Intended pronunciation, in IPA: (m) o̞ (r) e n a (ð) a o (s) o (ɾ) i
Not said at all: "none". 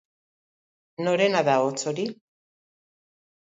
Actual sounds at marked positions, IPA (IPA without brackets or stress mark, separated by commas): n, ɾ, ð, t͡s, ɾ